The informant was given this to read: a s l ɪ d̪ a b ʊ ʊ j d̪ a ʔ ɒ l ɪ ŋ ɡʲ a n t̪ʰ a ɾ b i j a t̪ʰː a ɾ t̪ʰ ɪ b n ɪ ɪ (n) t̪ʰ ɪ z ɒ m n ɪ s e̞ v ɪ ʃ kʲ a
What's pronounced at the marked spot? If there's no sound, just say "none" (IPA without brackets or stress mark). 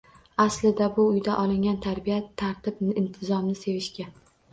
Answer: n